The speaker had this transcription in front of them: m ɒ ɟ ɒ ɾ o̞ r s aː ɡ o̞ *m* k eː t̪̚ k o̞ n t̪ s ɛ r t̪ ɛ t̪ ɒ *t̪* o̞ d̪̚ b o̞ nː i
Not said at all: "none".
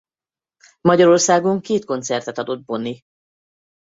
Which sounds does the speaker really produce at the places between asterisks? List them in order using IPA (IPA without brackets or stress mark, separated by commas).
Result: ŋ, d̪